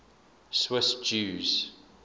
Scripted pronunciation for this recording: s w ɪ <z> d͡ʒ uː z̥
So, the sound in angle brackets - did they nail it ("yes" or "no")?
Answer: no